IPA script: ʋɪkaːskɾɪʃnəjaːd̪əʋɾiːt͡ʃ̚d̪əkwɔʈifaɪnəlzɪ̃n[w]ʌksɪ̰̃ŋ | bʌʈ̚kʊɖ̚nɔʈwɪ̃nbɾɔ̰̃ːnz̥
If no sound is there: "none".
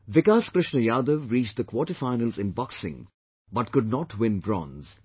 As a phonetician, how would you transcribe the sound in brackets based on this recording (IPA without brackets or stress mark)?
b